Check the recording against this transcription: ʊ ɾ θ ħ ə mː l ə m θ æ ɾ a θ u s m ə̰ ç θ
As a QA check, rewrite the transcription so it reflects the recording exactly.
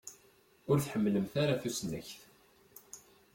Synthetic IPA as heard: ʊ ɾ θ ħ ə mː l ə m θ a ɾ a θ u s n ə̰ ç θ